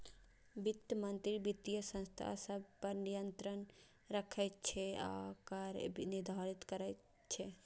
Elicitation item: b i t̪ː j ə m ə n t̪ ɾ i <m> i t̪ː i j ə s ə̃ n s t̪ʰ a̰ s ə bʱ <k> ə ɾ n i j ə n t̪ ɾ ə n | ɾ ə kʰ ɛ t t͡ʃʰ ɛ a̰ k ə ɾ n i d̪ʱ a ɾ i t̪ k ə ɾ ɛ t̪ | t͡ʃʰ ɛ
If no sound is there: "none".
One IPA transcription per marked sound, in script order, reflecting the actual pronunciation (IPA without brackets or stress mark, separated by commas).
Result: b, p